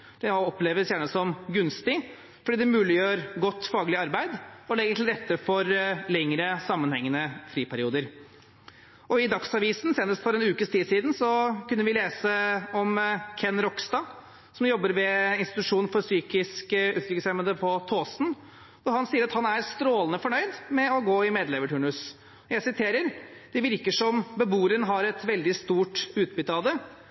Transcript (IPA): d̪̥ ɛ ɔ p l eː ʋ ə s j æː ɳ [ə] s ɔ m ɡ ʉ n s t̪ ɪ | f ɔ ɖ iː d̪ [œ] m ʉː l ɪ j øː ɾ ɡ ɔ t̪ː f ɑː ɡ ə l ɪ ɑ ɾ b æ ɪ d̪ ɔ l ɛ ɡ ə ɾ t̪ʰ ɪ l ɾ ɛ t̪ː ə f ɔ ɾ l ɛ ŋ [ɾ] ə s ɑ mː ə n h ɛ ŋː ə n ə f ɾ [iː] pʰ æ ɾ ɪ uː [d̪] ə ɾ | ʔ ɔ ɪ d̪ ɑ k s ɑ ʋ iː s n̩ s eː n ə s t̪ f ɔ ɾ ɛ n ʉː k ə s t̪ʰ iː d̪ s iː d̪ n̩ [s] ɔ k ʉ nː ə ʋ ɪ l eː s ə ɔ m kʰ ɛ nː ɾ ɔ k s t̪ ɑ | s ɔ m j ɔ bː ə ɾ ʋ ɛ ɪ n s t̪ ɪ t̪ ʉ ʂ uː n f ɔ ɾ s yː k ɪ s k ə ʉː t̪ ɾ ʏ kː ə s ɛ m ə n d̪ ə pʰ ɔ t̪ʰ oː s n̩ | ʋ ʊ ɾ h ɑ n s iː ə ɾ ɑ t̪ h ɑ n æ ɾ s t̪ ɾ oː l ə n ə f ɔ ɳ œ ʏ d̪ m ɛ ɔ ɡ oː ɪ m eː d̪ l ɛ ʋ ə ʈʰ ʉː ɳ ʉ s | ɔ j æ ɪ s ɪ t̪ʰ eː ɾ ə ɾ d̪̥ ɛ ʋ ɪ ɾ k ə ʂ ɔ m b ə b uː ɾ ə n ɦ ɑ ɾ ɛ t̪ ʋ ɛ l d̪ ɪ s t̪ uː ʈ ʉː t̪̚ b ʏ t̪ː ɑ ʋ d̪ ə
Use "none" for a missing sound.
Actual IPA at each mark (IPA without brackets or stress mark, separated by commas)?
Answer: ə, ɛ, ɾ, iː, d̪, s